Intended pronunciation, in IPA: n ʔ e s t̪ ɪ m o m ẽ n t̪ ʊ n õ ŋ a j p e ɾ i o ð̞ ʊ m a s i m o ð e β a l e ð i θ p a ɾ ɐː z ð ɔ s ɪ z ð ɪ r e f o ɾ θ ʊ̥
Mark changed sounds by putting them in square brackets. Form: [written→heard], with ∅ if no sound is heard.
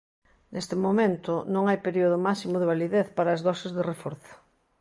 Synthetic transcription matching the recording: n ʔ e s t̪ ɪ m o m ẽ n t̪ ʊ n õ ŋ a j p e ɾ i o ð̞ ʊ m a s i m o ð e β a l [e→i] ð [i→e] θ p a ɾ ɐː z ð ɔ s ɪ z ð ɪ r e f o ɾ θ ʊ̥